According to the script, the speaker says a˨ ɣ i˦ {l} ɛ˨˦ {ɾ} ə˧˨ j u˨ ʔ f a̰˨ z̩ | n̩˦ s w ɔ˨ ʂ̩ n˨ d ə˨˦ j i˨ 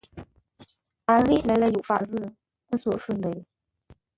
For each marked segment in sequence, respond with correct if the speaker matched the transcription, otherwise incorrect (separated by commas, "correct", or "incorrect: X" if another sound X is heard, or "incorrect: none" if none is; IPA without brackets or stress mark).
correct, incorrect: l